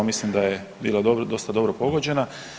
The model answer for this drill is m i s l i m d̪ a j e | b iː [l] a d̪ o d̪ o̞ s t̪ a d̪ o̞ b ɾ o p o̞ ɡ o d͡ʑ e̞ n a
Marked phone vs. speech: correct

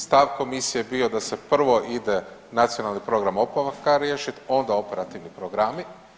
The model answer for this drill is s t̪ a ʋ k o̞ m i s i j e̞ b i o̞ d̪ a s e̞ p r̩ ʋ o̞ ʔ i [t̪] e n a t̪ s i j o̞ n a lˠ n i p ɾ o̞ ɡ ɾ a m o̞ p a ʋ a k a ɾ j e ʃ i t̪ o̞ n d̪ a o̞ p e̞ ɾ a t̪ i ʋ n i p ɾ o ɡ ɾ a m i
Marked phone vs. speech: incorrect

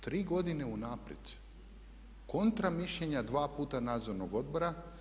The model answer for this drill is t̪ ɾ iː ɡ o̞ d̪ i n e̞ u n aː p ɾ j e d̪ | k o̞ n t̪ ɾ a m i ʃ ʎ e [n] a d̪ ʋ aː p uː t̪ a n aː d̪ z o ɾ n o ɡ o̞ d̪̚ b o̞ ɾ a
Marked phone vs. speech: incorrect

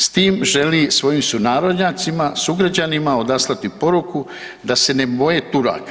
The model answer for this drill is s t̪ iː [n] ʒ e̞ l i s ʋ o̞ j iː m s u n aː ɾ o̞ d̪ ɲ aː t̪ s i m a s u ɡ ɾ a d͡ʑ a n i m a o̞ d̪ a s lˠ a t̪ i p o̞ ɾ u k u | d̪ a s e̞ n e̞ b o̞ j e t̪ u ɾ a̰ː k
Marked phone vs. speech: incorrect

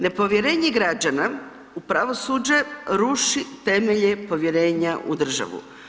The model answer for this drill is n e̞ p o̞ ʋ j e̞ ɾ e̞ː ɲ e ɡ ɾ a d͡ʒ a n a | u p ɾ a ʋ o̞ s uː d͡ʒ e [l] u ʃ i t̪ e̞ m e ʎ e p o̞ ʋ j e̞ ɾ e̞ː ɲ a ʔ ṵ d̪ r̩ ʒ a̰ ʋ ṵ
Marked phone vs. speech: incorrect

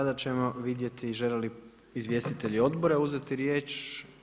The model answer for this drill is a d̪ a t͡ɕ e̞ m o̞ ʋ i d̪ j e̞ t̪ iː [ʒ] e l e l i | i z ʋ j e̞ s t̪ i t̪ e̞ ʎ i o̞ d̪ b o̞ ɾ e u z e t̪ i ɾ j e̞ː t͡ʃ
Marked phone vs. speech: correct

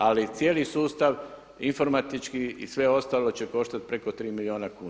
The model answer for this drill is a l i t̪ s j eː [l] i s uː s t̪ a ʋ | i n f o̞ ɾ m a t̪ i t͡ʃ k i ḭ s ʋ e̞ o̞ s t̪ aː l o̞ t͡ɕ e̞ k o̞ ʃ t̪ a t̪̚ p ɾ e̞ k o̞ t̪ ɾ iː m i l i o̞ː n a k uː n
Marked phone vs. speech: correct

